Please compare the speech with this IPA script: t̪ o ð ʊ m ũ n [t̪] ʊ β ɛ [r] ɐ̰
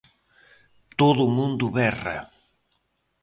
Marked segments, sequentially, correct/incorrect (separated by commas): incorrect, correct